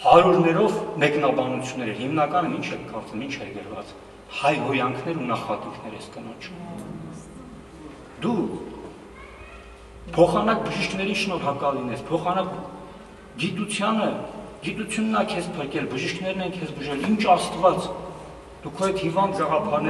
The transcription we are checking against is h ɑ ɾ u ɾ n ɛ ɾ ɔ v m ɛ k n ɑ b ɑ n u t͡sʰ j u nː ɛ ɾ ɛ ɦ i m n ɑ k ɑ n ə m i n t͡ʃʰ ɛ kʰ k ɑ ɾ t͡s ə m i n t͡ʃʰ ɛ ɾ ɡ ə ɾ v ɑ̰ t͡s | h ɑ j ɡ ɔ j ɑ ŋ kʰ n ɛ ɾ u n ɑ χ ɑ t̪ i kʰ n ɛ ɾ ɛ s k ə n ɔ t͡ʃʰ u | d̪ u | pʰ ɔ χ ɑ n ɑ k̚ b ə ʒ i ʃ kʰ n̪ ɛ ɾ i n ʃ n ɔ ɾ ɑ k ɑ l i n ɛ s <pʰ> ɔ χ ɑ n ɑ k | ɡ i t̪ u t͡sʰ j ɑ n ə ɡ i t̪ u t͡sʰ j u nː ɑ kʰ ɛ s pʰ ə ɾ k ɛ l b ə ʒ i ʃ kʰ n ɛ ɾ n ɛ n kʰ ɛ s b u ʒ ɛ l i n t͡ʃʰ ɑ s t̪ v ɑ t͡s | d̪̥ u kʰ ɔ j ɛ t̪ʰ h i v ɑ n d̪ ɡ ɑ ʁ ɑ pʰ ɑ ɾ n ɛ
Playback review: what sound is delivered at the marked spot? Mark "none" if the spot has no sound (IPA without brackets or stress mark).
pʰ